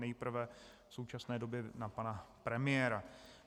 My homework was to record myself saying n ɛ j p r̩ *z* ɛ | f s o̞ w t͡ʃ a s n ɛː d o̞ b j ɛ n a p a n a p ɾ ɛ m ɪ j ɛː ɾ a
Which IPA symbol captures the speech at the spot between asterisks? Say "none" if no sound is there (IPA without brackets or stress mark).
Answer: v